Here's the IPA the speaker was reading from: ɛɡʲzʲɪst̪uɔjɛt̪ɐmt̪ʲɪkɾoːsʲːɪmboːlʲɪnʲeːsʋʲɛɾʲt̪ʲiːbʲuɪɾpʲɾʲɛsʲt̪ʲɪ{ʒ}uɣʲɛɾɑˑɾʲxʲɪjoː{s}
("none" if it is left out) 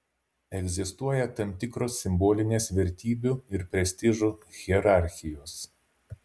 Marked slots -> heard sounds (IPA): ʒ, s

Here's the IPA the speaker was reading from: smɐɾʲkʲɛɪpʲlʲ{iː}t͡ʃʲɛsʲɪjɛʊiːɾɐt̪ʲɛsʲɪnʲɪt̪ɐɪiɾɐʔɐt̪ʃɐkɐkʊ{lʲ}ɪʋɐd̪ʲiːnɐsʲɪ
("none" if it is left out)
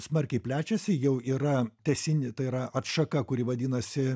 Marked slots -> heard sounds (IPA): æː, ɾʲ

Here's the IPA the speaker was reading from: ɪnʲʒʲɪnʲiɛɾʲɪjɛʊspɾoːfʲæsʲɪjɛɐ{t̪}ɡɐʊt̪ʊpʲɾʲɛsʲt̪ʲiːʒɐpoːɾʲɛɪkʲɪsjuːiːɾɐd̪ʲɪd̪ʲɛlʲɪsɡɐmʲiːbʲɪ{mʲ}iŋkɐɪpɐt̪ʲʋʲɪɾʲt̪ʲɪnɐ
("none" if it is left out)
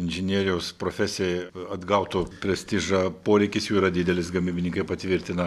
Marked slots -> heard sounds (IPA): d̪, nʲ

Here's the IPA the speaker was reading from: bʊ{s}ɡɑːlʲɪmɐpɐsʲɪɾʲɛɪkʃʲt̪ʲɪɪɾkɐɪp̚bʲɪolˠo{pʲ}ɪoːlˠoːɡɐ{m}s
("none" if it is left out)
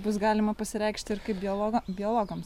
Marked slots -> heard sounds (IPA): s, bʲ, m

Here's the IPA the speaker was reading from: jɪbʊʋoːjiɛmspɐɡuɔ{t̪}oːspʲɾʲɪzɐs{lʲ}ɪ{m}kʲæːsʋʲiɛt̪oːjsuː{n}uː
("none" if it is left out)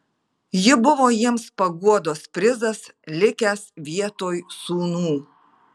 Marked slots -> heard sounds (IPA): d̪, lʲ, none, n

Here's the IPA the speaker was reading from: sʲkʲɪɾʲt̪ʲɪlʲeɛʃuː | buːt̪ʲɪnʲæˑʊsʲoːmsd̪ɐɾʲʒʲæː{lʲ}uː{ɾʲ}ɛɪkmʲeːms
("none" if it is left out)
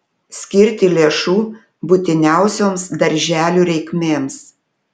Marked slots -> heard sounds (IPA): lʲ, ɾʲ

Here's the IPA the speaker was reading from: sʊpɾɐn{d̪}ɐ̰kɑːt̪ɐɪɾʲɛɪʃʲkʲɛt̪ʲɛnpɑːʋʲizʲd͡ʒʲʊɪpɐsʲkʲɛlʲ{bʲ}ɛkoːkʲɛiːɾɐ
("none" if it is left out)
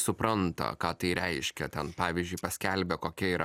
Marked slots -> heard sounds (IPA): t̪, bʲ

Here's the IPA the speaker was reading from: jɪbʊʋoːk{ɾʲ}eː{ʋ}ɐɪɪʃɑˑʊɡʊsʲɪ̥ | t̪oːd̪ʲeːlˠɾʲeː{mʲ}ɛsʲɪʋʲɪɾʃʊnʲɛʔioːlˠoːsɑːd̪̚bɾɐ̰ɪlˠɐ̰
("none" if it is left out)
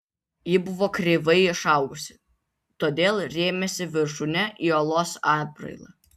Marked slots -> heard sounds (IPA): ɾʲ, ʋ, mʲ

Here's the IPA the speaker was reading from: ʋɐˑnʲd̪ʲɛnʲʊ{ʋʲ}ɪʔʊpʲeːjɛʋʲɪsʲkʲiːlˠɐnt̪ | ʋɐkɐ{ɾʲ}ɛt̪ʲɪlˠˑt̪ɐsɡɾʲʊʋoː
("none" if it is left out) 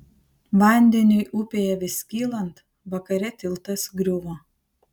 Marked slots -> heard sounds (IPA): none, ɾʲ

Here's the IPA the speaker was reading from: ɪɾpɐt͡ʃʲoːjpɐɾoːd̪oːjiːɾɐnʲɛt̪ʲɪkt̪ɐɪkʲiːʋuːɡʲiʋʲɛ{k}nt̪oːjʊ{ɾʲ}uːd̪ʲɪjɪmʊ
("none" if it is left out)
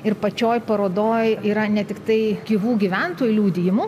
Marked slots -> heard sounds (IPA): none, lʲ

